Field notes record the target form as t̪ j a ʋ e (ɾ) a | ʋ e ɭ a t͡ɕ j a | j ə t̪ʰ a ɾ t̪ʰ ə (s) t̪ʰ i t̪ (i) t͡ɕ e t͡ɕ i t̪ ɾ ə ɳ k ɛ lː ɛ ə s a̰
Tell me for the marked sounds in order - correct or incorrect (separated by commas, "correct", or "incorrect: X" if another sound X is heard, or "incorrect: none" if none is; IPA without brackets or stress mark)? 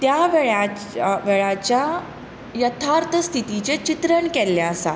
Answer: incorrect: ɭ, correct, correct